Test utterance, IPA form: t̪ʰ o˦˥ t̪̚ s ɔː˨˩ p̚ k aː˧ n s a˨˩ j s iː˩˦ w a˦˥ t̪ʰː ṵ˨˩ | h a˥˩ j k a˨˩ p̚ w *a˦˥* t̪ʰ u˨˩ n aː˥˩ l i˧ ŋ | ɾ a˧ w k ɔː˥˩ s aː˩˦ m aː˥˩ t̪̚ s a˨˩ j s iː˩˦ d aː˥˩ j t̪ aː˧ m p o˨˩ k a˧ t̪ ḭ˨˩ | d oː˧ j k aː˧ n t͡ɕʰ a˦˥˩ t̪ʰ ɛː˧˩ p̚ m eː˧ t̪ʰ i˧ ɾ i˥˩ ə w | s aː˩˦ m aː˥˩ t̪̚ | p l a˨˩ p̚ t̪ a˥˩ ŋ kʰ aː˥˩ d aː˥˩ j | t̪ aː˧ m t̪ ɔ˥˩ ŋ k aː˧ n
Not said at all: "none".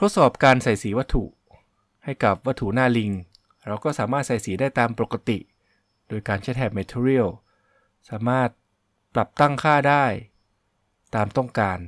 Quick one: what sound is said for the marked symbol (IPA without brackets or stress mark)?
a˦˥